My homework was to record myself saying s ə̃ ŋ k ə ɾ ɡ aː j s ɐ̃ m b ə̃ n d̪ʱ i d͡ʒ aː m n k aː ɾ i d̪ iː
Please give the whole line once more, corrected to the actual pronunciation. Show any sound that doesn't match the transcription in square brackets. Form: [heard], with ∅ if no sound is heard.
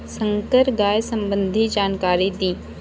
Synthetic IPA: s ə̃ ŋ k ə ɾ ɡ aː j s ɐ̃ m b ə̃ n d̪ʱ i d͡ʒ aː [∅] n k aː ɾ i d̪ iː

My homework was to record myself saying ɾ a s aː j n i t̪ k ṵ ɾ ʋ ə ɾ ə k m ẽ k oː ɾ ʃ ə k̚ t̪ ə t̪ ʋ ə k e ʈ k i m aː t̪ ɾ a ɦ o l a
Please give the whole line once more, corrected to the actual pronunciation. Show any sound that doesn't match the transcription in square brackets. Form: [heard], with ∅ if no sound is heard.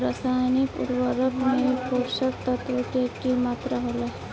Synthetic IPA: ɾ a s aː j n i [∅] k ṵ ɾ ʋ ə ɾ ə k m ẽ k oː ɾ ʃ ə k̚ t̪ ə t̪ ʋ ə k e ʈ k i m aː t̪ ɾ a ɦ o l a

